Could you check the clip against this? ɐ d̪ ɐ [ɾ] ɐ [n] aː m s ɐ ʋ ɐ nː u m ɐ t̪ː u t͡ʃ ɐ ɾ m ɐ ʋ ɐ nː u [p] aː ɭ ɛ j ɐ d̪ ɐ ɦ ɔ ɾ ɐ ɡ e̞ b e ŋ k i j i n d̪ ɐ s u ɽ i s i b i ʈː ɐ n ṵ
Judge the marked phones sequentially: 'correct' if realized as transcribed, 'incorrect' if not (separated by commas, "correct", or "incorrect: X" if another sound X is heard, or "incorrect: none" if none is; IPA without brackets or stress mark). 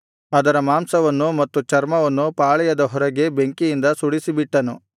correct, incorrect: m, correct